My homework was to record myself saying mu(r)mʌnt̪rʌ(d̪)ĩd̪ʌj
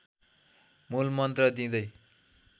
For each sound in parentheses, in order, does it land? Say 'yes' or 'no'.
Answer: no, yes

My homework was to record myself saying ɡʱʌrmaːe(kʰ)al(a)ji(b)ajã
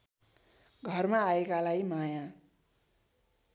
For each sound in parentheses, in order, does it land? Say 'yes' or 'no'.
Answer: no, yes, no

